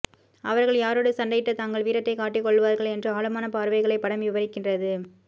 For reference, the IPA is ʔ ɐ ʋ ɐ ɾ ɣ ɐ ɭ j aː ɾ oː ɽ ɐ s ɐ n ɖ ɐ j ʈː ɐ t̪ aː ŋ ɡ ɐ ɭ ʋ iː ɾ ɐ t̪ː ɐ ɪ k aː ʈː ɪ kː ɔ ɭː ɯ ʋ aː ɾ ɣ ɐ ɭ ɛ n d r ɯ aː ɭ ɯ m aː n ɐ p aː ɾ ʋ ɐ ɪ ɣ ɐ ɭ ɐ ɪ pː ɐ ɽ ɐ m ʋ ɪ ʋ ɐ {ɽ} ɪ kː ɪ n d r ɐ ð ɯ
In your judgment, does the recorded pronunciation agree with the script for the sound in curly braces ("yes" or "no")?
no